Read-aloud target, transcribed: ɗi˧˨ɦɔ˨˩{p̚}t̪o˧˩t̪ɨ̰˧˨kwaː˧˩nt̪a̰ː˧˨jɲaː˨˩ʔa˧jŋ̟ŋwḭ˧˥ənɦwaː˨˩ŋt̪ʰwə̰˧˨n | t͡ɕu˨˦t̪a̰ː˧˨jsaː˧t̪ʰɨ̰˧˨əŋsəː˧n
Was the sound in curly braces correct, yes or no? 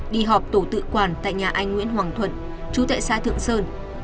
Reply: yes